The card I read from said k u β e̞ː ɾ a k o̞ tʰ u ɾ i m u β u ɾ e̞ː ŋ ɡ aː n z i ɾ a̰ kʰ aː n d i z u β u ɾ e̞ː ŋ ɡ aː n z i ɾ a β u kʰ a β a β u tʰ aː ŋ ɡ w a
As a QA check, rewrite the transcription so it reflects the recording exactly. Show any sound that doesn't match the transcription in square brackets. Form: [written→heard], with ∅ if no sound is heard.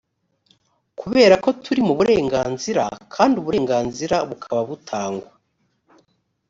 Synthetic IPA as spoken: k u β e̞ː ɾ a k o̞ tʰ u ɾ i m u β u ɾ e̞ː ŋ ɡ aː n z i ɾ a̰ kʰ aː n d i [z→∅] u β u ɾ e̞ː ŋ ɡ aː n z i ɾ a β u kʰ a β a β u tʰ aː ŋ ɡ w a